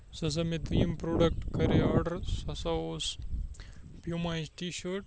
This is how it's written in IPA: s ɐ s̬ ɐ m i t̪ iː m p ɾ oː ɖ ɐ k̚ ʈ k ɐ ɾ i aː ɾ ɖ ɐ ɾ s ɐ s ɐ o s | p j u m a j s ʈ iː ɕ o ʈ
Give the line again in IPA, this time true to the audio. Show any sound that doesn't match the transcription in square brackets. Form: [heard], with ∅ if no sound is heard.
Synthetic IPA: s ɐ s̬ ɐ m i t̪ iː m p ɾ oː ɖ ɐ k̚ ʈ k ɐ ɾ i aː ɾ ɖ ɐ ɾ s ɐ s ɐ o s | p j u m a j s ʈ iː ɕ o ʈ

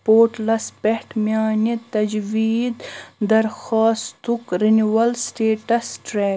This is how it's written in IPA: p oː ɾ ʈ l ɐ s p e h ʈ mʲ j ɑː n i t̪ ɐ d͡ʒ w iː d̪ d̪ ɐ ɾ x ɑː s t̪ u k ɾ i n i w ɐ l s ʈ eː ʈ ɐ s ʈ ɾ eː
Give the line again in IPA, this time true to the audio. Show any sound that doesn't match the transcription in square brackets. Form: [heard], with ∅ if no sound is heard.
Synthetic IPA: p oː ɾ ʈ l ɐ s p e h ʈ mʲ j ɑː n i t̪ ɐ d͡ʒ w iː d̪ d̪ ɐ ɾ x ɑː s t̪ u k ɾ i n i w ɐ l s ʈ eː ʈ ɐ s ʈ ɾ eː

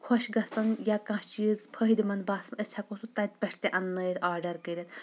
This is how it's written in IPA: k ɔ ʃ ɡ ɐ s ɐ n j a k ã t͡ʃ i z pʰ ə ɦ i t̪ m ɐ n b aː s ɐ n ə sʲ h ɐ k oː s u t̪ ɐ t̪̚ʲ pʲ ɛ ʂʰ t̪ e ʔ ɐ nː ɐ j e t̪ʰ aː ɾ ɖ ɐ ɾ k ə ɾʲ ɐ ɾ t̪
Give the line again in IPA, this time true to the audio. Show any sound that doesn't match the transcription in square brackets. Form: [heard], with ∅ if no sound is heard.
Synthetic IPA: [kʰ] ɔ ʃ ɡ ɐ s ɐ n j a k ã t͡ʃ i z pʰ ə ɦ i [d̪] m ɐ n b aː s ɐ n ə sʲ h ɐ k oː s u t̪ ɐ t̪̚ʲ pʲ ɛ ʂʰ t̪ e ʔ ɐ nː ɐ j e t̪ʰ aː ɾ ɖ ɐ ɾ k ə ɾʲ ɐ [∅] t̪

